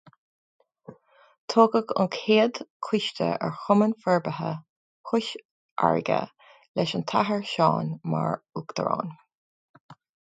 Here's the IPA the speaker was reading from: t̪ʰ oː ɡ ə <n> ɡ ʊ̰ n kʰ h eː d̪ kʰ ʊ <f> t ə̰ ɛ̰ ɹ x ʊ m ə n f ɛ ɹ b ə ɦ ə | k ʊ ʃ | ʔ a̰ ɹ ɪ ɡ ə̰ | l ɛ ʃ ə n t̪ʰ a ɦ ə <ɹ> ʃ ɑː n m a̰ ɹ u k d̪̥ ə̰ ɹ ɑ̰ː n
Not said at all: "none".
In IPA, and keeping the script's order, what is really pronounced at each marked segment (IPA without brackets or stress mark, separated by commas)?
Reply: none, ʃ, ɹ